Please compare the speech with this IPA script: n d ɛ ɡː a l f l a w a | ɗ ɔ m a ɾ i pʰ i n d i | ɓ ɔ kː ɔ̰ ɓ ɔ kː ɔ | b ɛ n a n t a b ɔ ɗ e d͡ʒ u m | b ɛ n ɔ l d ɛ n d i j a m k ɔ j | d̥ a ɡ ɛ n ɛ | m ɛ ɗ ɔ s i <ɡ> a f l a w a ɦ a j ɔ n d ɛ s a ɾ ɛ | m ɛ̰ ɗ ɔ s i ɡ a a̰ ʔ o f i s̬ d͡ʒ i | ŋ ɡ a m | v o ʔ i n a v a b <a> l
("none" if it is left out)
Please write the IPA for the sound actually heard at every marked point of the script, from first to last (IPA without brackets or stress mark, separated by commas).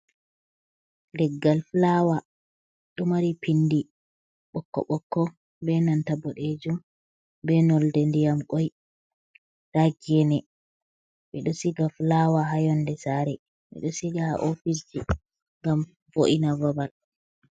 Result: ɡ, a